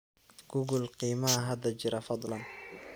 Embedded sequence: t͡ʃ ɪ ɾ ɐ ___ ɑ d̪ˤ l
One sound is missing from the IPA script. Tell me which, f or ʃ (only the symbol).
f